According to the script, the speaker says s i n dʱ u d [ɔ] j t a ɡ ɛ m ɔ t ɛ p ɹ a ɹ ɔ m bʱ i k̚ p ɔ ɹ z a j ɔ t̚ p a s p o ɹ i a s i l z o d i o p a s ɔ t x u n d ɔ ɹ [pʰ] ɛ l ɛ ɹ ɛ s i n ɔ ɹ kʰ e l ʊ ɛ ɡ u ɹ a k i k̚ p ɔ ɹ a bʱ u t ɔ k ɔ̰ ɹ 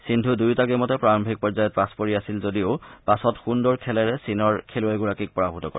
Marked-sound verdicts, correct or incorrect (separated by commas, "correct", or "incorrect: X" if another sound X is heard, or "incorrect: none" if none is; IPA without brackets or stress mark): incorrect: u, incorrect: kʰ